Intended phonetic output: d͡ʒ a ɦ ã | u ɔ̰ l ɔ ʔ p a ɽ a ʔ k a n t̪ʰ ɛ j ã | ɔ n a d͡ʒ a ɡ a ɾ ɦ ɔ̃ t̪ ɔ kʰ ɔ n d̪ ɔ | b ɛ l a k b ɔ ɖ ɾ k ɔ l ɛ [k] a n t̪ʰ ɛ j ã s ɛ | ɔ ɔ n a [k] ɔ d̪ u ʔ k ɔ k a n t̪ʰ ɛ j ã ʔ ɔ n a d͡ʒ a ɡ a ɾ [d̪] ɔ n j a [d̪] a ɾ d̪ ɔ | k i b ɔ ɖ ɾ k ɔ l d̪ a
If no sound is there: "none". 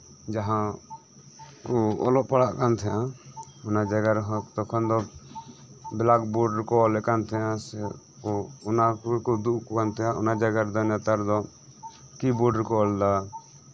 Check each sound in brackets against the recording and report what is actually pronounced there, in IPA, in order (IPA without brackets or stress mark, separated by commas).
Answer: k, k, d̪, t̪